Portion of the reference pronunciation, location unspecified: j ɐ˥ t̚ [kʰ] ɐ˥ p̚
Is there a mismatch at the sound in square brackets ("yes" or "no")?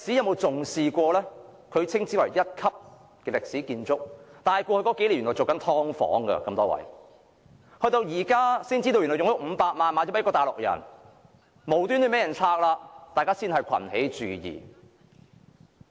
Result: no